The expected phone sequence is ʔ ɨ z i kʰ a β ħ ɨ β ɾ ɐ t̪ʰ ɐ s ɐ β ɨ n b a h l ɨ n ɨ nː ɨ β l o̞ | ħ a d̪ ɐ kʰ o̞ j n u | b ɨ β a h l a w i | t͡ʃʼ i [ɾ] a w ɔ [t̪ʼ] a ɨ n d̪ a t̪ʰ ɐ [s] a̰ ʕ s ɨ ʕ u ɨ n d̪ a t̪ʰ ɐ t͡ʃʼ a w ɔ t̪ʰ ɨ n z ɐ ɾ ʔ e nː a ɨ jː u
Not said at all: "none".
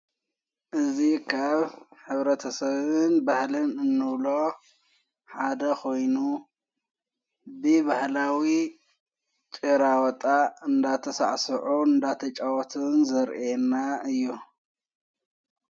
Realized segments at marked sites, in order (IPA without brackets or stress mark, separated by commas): ɾ, t̪ʼ, s